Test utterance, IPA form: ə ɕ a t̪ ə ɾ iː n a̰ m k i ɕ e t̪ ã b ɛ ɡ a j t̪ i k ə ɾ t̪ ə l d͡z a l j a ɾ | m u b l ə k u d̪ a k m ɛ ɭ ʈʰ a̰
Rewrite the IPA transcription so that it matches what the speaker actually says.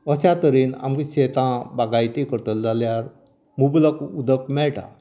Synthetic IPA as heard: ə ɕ a t̪ ə ɾ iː n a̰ m k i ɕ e t̪ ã b a ɡ a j t̪ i k ə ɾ t̪ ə l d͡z a l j a ɾ | m u b l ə k u d̪ ə k m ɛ ɭ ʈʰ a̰